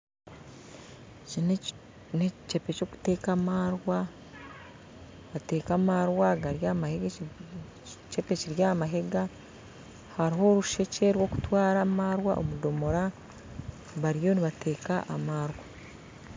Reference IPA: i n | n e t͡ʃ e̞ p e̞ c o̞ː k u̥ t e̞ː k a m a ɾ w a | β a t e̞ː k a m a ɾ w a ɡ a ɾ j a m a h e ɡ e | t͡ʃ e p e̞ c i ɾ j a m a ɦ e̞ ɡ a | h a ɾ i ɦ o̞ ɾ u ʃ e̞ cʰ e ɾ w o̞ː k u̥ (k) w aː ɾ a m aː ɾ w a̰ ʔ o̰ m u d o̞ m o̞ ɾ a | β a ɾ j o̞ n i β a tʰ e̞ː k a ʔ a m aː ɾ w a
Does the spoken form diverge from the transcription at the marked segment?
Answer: yes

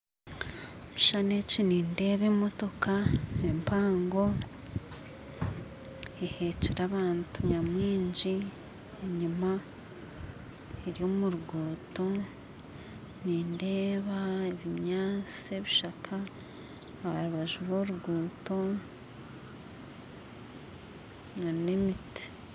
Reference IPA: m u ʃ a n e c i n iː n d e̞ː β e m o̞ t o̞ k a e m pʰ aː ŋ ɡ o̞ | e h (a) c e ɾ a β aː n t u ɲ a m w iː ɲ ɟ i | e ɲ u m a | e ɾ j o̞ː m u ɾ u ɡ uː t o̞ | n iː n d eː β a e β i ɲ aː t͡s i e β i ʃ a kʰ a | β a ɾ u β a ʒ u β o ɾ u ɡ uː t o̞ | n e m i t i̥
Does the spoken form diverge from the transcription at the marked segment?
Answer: yes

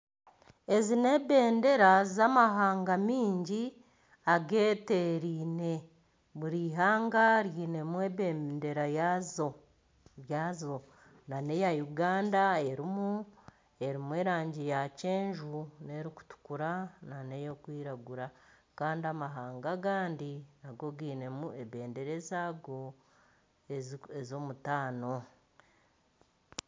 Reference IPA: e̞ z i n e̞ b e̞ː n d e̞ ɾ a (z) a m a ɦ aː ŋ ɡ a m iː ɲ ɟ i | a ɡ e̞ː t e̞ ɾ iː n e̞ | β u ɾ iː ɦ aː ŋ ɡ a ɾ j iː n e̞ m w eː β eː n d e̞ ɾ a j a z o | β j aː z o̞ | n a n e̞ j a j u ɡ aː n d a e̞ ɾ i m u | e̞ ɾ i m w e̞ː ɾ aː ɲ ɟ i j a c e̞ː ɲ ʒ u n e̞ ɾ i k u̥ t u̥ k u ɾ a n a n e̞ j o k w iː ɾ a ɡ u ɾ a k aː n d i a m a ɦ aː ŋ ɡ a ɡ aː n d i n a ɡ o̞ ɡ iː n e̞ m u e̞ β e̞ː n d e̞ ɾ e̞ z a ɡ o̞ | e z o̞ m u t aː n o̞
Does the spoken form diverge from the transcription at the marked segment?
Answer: no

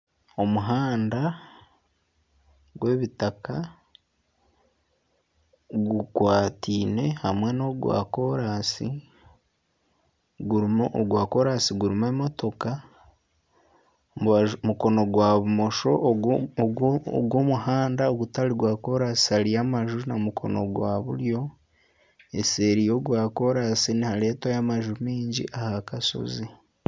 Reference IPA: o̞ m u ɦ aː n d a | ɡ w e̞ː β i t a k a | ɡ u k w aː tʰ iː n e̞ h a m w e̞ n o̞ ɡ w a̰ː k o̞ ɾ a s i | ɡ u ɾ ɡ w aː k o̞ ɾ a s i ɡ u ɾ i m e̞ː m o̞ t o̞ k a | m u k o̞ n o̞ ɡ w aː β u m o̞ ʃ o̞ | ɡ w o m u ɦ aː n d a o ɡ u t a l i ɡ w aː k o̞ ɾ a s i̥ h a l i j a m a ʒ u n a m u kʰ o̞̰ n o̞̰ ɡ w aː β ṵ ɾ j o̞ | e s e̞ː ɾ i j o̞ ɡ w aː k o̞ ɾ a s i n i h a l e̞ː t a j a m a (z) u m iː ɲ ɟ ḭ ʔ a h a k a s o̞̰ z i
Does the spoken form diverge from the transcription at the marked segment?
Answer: yes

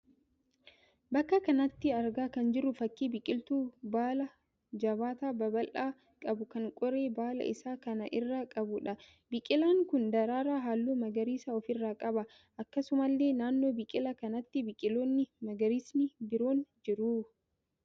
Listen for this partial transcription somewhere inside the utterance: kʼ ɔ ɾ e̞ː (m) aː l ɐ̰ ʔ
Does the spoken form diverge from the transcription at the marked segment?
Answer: yes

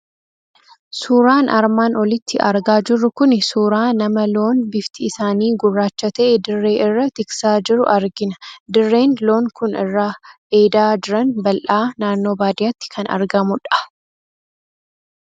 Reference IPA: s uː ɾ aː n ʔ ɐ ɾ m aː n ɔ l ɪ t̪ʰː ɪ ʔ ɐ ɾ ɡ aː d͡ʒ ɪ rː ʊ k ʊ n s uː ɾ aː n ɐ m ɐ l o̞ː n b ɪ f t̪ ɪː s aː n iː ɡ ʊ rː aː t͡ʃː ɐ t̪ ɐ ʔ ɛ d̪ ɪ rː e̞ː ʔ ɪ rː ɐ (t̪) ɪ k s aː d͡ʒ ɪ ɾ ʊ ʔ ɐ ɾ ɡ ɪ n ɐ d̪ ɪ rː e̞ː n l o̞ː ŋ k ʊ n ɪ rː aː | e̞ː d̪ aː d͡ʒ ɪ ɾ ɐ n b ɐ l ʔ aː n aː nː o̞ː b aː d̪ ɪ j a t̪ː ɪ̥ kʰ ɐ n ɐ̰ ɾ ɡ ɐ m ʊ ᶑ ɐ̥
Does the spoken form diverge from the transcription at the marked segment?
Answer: no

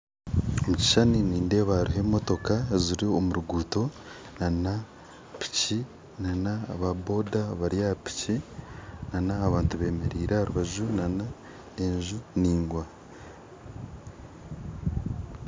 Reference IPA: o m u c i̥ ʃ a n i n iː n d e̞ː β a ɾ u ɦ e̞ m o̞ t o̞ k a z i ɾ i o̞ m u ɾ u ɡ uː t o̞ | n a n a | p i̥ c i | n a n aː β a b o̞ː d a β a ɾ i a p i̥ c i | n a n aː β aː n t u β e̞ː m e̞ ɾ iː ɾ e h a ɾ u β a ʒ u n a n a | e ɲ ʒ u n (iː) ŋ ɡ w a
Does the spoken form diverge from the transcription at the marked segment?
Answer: no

